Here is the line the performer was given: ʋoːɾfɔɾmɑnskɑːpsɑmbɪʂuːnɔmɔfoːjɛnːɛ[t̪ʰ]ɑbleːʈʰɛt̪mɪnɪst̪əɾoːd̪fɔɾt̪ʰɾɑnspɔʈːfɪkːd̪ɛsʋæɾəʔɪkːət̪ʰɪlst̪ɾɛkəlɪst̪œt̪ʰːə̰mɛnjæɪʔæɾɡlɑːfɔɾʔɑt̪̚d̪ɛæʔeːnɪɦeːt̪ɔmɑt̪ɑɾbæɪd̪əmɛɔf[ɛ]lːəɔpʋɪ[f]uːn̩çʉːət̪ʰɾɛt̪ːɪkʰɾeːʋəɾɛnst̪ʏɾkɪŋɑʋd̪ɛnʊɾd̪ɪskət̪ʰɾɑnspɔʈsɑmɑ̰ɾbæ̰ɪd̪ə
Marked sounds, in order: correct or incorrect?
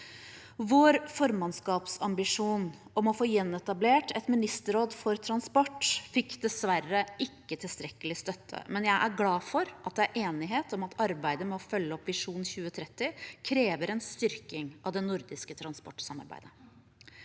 incorrect: t̪, incorrect: œ, incorrect: ʂ

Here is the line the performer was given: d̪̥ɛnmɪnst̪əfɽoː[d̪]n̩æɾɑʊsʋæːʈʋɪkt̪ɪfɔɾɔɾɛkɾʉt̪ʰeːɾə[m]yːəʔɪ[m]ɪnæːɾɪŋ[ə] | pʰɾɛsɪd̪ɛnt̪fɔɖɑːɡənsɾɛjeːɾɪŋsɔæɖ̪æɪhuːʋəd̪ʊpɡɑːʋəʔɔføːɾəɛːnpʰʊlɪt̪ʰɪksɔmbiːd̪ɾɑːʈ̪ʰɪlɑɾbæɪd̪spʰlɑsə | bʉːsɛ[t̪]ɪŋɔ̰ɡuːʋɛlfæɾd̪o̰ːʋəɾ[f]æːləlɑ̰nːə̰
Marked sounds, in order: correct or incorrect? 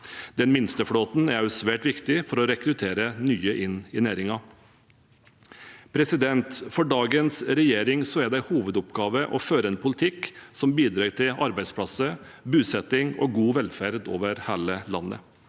incorrect: t̪, incorrect: n, incorrect: n, incorrect: ɑ, correct, incorrect: h

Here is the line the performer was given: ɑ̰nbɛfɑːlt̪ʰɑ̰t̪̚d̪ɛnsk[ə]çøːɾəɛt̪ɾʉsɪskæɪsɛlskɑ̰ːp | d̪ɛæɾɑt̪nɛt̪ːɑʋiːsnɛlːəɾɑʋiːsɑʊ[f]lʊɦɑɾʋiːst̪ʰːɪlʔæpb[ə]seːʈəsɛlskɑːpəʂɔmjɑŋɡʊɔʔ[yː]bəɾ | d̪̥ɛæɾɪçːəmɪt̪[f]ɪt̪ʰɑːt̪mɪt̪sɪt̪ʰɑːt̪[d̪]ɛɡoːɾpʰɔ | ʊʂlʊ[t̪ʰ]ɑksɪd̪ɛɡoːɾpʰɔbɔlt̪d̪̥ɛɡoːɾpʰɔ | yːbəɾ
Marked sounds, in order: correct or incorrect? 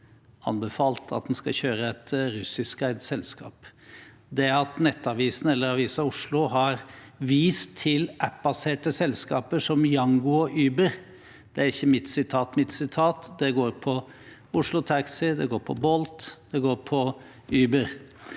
incorrect: ɑ, incorrect: ʂ, incorrect: ɑ, correct, incorrect: s, correct, correct

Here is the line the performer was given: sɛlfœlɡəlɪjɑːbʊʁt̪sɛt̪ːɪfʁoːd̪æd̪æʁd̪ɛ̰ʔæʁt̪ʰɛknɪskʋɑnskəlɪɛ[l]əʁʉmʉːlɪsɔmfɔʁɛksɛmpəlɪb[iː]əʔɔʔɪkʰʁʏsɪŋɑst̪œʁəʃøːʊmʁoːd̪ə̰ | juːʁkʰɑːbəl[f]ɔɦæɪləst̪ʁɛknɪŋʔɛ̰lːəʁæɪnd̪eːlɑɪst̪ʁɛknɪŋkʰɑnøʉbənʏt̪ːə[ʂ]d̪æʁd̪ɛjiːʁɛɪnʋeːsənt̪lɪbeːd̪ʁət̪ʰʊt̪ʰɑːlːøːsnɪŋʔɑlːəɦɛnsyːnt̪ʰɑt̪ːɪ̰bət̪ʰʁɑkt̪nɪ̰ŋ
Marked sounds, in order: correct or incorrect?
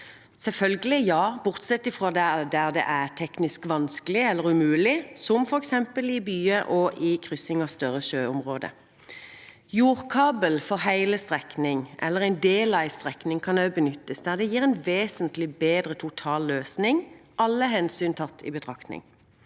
incorrect: lː, incorrect: yː, correct, incorrect: s

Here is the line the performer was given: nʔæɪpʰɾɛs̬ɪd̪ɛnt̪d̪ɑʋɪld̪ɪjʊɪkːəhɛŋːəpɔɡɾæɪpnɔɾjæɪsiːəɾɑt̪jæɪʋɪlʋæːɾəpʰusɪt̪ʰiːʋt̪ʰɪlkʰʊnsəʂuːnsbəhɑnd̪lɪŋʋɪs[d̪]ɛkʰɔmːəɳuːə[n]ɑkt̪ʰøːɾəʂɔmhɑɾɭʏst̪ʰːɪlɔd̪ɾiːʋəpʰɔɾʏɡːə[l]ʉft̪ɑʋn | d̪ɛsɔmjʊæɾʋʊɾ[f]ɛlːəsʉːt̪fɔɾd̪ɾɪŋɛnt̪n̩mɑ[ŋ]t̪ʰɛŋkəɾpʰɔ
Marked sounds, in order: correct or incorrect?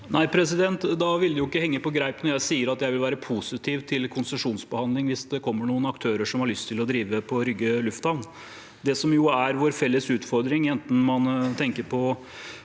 correct, correct, correct, correct, incorrect: n

